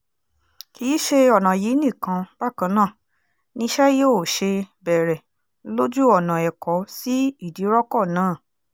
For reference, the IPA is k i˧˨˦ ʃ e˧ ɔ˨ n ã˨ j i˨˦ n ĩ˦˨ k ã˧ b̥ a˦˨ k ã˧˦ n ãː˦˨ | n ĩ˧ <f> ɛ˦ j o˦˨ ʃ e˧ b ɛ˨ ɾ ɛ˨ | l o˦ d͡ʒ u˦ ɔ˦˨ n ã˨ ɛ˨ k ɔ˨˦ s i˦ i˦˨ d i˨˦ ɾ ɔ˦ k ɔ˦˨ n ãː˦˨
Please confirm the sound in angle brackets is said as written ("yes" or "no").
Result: no